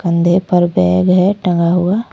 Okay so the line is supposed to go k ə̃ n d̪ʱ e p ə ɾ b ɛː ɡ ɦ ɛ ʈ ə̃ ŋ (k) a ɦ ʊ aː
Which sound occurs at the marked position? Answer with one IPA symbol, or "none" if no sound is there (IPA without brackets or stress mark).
ɡ